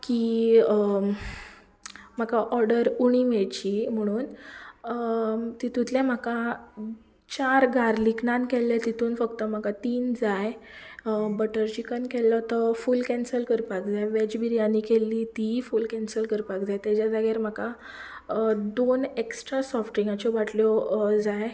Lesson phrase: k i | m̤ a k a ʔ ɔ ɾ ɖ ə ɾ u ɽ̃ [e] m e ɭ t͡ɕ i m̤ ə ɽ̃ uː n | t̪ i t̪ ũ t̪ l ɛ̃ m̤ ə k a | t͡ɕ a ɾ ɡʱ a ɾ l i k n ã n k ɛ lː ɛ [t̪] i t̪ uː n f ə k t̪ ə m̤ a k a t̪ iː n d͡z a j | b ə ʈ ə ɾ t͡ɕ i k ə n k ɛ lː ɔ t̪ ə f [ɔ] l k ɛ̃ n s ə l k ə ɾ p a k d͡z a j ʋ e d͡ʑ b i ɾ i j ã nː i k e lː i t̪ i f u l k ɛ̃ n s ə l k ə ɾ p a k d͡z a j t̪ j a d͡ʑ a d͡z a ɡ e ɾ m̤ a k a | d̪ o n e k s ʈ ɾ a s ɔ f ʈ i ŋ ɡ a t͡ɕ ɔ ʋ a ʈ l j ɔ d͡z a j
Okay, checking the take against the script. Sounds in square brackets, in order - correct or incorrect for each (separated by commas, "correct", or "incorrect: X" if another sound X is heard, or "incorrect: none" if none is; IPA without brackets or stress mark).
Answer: incorrect: i, correct, incorrect: u